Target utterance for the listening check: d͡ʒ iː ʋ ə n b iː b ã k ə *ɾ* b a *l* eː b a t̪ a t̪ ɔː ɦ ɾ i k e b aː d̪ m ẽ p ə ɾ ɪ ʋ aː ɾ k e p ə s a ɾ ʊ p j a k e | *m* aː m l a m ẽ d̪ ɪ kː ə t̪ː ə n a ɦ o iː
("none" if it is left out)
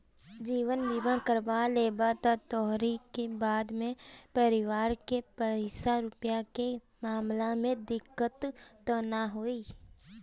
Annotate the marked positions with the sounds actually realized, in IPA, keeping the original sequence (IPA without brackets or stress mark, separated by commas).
ɾ, l, m